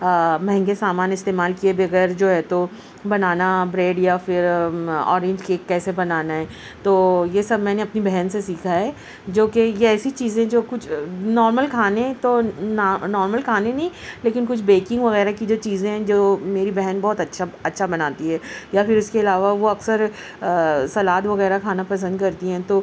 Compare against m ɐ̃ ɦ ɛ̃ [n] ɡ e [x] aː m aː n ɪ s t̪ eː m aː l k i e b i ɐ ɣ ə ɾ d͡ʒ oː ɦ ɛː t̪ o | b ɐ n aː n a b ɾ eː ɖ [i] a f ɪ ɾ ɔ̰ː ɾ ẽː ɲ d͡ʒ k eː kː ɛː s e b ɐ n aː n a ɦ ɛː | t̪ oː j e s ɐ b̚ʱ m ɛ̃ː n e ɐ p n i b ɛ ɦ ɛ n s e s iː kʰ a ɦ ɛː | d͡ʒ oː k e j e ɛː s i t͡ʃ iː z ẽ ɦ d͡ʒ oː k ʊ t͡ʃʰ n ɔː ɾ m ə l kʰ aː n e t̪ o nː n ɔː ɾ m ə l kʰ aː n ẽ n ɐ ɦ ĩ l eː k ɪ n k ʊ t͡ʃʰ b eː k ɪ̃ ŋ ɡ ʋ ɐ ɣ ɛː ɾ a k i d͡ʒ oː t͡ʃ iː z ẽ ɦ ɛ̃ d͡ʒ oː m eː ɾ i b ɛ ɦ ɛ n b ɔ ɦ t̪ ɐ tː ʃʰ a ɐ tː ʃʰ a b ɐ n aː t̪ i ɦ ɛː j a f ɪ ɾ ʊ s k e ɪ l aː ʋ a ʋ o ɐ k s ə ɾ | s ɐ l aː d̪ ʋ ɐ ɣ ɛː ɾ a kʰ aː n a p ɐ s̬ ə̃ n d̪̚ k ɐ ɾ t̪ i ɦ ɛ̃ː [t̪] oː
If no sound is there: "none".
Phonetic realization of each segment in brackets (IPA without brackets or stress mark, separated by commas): ŋ, s, j, t̪